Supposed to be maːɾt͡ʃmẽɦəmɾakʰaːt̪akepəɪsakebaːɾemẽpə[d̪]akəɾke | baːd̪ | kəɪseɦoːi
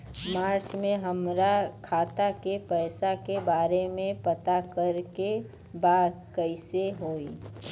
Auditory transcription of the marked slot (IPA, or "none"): t̪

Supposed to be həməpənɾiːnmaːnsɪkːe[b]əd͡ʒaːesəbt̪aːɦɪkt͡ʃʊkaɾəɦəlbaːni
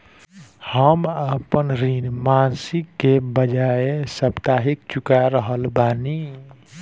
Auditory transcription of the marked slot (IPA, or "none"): b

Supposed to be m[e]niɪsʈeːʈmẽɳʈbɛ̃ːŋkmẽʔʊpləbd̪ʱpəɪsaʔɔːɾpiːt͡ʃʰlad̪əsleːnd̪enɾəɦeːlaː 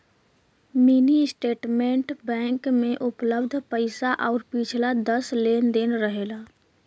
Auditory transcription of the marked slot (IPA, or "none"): i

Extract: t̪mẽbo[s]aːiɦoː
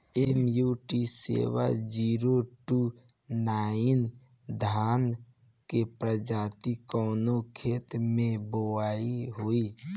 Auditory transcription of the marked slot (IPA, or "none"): none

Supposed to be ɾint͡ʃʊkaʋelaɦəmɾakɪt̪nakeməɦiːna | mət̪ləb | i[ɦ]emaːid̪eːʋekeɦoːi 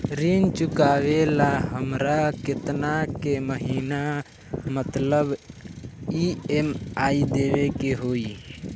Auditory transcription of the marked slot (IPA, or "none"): none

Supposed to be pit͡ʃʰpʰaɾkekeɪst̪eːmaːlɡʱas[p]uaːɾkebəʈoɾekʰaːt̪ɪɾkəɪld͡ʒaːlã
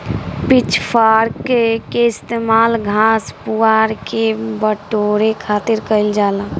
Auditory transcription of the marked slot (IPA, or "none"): p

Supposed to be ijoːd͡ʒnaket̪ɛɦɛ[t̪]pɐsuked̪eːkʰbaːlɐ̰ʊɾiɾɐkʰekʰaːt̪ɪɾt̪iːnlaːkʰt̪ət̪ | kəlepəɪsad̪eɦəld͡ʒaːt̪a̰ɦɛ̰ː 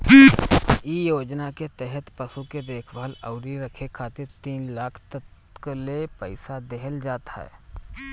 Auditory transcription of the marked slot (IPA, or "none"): t̪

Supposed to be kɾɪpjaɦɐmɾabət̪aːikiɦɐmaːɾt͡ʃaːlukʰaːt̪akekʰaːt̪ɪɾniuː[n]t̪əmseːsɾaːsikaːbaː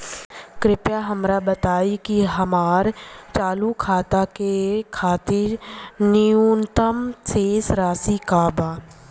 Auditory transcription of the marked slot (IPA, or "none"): n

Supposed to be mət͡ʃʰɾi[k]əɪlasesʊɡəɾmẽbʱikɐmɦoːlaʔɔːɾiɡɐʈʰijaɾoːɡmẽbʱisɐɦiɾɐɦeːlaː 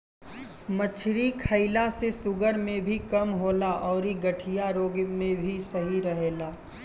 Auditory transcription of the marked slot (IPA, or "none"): kʰ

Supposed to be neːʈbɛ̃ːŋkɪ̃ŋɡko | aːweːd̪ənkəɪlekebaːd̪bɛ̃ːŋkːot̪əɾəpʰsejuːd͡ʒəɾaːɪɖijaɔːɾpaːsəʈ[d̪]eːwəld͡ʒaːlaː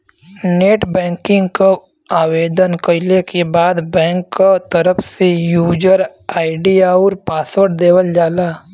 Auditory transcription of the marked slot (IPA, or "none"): d̪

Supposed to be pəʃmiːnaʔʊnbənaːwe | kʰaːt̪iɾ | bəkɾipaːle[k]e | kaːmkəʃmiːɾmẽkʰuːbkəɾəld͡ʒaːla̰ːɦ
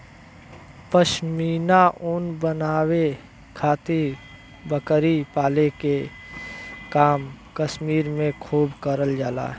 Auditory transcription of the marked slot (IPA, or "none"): k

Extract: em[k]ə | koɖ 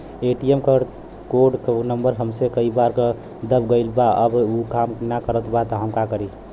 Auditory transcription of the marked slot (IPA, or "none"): k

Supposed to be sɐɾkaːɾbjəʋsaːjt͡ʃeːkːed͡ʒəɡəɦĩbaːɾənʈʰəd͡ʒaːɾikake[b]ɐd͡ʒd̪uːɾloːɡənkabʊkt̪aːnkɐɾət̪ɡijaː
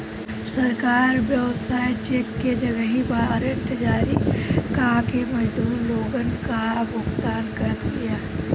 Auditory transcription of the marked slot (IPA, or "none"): m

